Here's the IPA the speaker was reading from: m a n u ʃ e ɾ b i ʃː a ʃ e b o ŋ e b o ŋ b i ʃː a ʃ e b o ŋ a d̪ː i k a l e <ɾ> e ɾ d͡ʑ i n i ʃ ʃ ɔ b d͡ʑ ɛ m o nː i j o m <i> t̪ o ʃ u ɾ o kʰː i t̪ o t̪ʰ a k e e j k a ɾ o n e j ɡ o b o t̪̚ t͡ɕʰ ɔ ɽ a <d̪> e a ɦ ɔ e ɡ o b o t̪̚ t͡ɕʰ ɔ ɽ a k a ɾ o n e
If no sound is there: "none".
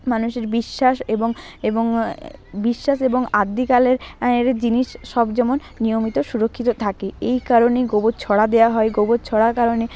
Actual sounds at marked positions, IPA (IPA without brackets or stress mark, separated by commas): ɾ, i, d̪